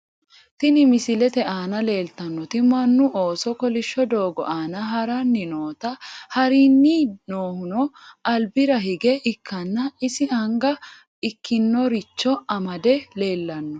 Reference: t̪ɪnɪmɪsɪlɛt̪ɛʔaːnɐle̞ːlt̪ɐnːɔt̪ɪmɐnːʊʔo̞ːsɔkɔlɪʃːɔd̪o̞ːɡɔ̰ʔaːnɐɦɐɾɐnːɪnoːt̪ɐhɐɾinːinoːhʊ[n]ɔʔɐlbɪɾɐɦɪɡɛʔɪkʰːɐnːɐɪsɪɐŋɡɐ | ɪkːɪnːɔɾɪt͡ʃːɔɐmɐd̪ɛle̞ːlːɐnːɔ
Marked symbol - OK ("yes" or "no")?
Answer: yes